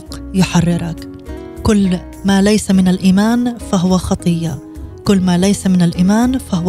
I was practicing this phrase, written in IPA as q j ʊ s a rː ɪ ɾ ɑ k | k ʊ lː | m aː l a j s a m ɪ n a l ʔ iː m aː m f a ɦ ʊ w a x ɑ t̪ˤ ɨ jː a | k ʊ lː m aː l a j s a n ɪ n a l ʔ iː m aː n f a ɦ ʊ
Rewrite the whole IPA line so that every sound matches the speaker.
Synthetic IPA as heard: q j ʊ ħ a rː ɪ ɾ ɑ k | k ʊ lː | m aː l a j s a m ɪ n a l ʔ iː m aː n f a ɦ ʊ w a x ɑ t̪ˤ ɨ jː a | k ʊ lː m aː l a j s a m ɪ n a l ʔ iː m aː n f a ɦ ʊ